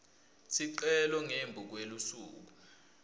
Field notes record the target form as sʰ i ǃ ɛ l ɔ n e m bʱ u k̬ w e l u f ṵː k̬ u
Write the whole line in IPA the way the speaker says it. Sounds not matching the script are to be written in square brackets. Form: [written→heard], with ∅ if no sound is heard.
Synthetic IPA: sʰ i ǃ ɛ l ɔ [n→ŋ] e m bʱ u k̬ w e l u [f→s] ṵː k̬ u